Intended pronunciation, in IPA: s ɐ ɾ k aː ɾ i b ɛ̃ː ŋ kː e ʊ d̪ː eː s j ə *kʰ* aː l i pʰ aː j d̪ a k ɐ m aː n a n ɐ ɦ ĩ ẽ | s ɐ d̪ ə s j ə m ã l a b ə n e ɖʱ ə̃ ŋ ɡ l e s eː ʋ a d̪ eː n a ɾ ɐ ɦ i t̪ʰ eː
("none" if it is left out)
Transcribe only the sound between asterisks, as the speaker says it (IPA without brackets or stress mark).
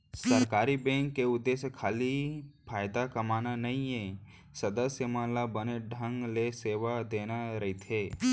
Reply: kʰ